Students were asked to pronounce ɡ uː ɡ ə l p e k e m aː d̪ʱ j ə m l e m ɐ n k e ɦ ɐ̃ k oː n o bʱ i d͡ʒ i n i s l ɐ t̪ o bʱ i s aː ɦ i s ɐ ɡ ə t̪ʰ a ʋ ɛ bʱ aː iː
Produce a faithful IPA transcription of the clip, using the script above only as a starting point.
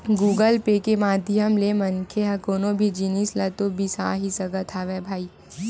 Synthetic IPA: ɡ uː ɡ ə l p e k e m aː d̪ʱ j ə m l e m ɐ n kʰ e ɦ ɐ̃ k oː n o bʱ i d͡ʒ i n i s l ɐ t̪ o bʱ i s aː ɦ i s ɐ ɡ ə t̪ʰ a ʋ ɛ bʱ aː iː

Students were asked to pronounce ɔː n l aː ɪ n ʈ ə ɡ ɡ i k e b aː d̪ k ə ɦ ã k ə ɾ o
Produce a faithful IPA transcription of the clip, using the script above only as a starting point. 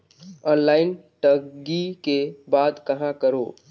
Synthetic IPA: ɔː n l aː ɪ n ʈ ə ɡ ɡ i k e b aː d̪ k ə ɦ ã k ə ɾ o

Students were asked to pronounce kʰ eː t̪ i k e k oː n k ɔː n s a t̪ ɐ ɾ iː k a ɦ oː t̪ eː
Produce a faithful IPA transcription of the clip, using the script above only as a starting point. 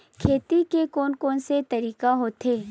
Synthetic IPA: kʰ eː t̪ i k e k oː n k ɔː n s e t̪ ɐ ɾ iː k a ɦ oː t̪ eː

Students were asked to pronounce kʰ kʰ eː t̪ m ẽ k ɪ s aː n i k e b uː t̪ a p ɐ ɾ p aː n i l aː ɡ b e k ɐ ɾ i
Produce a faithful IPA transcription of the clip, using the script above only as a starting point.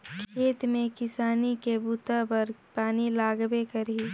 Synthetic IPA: kʰ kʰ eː t̪ m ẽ k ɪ s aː n i k e b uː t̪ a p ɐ ɾ p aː n i l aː ɡ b e k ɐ ɾ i

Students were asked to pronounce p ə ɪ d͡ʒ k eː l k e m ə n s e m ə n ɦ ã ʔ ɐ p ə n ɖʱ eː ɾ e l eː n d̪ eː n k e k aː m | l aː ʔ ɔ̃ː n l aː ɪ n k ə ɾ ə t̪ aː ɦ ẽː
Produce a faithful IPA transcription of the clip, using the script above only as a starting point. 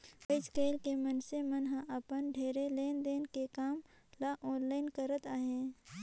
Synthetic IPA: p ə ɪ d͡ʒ k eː l k e m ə n s e m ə n ɦ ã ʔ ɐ p ə n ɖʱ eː ɾ e l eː n d̪ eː n k e k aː m | l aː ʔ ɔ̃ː n l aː ɪ n k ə ɾ ə t̪ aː ɦ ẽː

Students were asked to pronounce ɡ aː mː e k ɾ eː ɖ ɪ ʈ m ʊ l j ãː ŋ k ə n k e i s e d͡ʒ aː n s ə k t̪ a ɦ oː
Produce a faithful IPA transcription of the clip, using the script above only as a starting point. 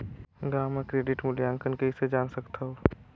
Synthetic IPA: ɡ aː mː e k ɾ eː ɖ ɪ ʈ m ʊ l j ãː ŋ k ə n k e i s e d͡ʒ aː n s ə k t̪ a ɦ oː

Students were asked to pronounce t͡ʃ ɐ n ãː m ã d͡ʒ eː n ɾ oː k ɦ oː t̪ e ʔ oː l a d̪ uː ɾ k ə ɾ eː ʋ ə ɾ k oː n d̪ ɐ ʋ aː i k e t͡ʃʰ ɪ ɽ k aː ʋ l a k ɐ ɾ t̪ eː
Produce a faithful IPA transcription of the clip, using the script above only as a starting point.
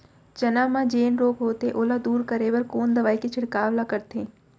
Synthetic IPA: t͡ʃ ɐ n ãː m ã d͡ʒ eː n ɾ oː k ɦ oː t̪ e ʔ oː l a d̪ uː ɾ k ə ɾ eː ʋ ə ɾ k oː n d̪ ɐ ʋ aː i k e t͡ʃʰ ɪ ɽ k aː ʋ l a k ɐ ɾ t̪ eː

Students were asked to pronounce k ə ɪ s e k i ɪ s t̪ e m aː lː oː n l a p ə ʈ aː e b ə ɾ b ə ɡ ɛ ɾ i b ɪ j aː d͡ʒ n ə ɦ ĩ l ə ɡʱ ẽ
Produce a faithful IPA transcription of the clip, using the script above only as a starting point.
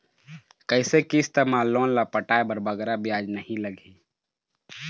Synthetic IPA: k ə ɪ s e k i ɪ s t̪ e m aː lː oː n l a p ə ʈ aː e b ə ɾ b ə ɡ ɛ ɾ a b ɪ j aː d͡ʒ n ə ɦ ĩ l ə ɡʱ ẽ

